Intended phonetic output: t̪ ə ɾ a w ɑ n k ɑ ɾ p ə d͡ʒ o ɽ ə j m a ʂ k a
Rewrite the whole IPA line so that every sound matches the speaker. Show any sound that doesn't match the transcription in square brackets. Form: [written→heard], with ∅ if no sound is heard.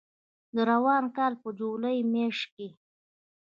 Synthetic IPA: [t̪→d̪] ə ɾ a w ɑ n k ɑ [ɾ→l] p ə d͡ʒ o [ɽ→l] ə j m [a→e] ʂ k [a→e]